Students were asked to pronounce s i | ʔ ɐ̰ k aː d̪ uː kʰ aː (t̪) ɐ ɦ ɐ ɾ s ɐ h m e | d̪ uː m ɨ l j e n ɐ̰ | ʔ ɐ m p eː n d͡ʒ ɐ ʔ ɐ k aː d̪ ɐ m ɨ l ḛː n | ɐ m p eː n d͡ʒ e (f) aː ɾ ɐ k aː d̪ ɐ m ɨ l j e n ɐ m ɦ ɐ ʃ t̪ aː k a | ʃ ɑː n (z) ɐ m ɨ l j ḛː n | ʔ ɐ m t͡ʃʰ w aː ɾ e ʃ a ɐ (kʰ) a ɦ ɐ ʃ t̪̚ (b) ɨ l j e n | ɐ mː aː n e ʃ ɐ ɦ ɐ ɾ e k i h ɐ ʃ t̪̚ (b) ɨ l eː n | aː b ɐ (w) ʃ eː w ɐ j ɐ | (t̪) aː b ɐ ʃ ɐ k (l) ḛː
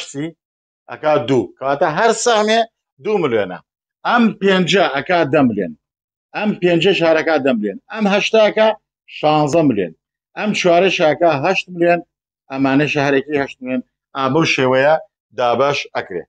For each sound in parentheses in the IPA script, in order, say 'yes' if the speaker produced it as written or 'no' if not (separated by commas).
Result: yes, no, yes, no, no, no, yes, no, no